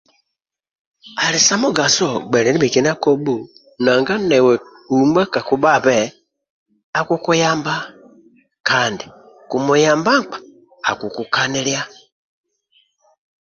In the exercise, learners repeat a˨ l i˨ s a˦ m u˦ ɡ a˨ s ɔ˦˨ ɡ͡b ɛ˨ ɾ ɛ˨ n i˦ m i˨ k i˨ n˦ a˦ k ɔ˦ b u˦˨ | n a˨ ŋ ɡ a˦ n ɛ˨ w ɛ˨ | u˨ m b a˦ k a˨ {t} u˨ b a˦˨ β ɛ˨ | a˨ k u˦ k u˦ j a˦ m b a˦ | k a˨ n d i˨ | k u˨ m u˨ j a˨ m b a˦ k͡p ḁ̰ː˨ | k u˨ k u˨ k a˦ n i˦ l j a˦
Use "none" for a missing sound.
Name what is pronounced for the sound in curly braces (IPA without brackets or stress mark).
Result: k